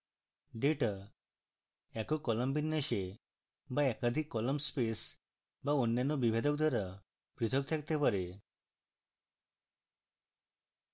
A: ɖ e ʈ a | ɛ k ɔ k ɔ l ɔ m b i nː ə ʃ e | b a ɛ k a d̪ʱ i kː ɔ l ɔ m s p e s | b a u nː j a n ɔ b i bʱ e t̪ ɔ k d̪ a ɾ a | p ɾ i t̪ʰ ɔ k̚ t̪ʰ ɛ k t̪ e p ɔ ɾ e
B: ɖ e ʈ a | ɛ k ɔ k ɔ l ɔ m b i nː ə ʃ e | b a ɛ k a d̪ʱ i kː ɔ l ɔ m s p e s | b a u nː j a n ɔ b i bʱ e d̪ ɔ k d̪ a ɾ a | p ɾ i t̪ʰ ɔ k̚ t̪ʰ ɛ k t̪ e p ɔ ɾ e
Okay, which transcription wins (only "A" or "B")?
B